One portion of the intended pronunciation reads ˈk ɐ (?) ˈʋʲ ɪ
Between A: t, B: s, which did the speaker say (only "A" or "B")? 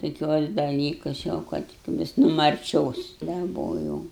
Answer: A